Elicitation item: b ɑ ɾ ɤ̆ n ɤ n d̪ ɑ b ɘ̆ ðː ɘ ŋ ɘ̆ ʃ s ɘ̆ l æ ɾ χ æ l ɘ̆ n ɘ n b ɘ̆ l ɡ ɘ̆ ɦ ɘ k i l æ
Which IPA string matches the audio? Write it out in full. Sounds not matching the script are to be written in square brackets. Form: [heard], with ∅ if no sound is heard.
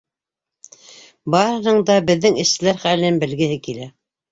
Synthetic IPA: b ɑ ɾ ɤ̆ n ɤ [ɴ] d̪ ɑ b ɘ̆ ðː ɘ ŋ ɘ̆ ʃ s ɘ̆ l æ ɾ χ æ l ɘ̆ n ɘ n b ɘ̆ l ɡ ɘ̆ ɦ ɘ k i l æ